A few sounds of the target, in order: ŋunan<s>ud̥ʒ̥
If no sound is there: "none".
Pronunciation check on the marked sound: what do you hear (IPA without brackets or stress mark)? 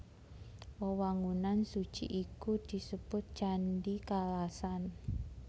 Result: s